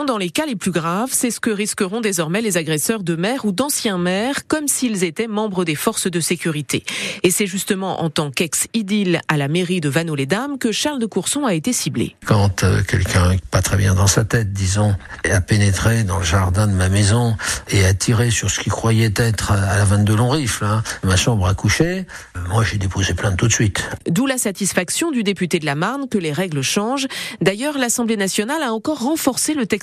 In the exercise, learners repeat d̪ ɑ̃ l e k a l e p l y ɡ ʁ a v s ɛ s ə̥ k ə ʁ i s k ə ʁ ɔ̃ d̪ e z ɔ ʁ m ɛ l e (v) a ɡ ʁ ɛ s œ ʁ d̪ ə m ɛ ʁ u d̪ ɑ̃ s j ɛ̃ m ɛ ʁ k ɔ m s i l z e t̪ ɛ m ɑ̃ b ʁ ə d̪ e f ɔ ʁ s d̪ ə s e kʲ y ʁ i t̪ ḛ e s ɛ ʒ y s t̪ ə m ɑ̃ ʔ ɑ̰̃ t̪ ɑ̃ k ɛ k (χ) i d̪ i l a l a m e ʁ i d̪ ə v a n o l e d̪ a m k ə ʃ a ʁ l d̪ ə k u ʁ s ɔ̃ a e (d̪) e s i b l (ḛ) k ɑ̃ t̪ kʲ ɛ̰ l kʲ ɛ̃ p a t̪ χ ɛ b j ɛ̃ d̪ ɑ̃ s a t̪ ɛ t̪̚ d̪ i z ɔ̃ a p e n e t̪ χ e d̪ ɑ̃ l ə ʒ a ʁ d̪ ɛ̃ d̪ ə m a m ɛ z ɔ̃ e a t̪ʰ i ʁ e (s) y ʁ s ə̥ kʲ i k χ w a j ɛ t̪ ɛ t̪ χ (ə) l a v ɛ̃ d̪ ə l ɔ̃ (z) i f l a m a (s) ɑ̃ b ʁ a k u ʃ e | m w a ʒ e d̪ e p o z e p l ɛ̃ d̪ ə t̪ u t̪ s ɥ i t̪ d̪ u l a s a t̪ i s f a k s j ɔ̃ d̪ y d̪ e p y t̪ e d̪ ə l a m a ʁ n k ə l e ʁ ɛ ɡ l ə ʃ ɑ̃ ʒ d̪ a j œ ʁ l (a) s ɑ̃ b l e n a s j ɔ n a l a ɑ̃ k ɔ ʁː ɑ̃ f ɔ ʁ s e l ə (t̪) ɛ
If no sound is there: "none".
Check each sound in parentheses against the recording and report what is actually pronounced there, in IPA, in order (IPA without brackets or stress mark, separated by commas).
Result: z, s, t̪, ḛ, s, a, ʁ, ʃ, a, t̪